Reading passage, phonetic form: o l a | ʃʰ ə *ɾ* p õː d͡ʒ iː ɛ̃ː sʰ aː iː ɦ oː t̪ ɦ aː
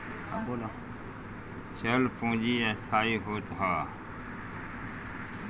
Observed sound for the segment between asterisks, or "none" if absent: l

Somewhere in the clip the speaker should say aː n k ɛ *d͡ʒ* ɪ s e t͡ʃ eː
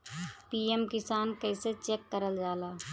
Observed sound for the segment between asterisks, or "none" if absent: none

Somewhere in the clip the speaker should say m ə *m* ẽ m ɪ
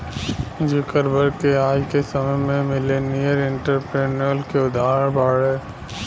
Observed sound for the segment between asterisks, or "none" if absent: m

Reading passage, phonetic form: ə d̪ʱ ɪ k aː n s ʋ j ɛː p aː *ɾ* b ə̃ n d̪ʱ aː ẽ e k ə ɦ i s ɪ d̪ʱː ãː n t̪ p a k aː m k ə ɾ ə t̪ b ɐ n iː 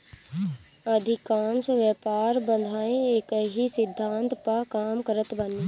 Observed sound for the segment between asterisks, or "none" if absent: ɾ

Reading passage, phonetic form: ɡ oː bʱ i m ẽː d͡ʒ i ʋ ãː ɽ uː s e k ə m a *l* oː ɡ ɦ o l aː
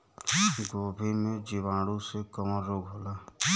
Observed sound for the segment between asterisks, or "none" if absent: ɾ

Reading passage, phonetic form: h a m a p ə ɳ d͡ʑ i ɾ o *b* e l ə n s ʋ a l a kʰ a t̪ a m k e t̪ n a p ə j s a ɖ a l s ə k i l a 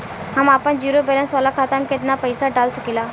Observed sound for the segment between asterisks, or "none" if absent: b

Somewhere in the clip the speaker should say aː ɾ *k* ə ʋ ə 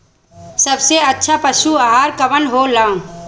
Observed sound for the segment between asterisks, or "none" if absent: k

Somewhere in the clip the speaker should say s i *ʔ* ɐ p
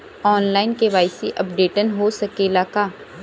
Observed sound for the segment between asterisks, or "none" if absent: ʔ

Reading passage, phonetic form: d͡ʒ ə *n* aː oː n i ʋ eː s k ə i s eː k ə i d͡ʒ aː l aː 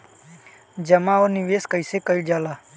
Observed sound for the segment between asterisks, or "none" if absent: m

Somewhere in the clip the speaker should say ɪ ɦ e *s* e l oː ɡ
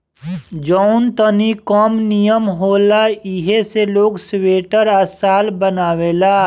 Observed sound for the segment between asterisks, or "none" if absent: s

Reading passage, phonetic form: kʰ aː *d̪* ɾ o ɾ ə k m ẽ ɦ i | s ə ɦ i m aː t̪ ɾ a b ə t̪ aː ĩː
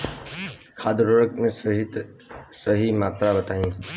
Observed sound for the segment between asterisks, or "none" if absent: d̪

